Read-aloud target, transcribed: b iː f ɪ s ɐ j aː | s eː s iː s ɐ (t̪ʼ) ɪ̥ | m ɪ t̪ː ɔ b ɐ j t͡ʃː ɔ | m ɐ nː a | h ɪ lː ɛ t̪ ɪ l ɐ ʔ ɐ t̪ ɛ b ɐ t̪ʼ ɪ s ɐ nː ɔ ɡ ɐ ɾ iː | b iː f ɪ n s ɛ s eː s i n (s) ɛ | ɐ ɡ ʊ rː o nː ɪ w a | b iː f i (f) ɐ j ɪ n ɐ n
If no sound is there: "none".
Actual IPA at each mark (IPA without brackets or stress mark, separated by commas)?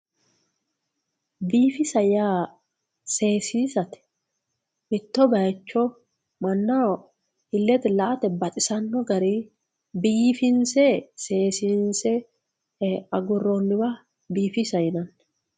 t̪, s, s